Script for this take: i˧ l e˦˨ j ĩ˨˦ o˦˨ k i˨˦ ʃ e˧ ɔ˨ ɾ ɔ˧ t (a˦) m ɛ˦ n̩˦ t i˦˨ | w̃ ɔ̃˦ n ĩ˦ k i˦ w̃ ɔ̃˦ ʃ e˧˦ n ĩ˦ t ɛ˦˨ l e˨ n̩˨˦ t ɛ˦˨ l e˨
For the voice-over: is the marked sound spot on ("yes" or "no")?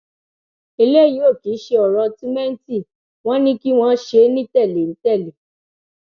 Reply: no